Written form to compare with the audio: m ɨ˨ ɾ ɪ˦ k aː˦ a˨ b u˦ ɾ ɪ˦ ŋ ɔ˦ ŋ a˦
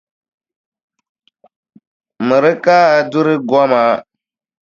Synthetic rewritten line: m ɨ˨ ɾ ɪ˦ k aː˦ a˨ d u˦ ɾ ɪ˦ ɡ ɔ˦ m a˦